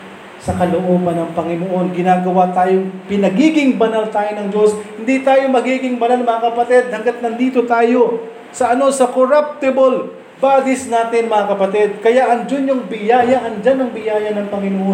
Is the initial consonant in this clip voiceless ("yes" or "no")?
yes